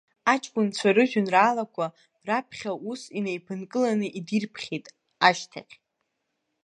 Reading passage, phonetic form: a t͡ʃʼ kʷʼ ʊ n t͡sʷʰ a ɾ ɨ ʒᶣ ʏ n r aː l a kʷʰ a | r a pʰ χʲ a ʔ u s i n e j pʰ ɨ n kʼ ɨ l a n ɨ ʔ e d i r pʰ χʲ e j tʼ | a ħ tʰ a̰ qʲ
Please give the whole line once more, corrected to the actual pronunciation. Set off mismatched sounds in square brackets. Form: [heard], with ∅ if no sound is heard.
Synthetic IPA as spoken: a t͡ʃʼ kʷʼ ʊ n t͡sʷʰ a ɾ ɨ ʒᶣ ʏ n r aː l a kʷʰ a | r a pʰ χʲ a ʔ u s i n e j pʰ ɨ n kʼ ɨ l a n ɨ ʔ [i] d i r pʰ χʲ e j tʼ | a [ʃ] tʰ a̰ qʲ